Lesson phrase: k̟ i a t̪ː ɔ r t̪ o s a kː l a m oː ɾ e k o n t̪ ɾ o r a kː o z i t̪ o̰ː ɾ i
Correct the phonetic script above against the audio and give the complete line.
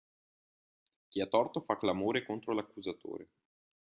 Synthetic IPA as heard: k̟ i a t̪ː ɔ r t̪ o f a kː l a m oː ɾ e k o n t̪ ɾ o l a kː u z a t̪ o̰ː ɾ e